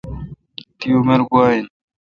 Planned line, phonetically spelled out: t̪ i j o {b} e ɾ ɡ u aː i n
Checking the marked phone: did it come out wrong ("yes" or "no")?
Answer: yes